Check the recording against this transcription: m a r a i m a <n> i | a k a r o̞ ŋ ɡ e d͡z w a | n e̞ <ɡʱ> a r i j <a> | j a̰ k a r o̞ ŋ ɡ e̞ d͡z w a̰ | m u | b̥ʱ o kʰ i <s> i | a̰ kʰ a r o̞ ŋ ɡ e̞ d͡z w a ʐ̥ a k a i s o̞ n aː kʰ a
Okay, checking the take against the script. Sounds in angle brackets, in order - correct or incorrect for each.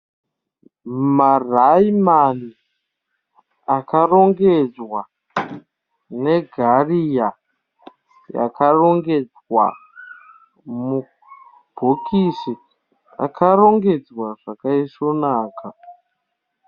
correct, correct, correct, correct

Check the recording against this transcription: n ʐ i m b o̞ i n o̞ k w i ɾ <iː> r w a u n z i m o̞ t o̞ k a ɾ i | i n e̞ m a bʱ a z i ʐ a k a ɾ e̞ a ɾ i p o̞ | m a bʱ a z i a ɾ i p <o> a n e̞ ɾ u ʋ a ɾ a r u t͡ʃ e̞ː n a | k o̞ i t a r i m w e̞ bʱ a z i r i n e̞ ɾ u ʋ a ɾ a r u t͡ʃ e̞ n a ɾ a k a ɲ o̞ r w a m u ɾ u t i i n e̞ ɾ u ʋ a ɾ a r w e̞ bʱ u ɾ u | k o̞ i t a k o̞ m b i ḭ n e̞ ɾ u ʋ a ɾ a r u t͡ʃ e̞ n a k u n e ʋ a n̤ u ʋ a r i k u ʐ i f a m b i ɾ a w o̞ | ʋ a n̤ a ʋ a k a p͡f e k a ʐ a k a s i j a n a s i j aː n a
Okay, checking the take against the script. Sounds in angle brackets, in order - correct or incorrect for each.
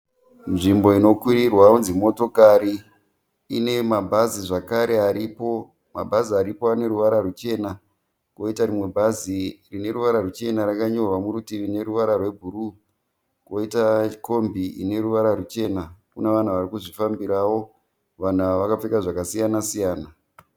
incorrect, correct

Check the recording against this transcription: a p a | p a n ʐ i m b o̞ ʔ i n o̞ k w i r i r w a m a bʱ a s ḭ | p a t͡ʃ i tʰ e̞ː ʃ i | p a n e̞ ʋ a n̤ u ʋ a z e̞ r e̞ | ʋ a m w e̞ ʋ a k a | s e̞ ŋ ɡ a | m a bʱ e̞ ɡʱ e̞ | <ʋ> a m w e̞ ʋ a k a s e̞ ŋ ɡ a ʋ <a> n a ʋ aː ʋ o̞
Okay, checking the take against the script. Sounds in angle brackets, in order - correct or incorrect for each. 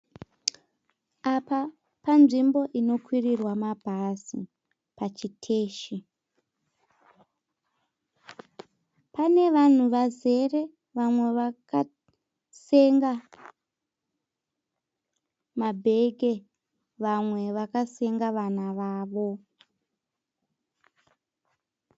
correct, correct

